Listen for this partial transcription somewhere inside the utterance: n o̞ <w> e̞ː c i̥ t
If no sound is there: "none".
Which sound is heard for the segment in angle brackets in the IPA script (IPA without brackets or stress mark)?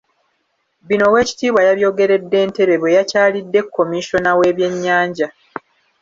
w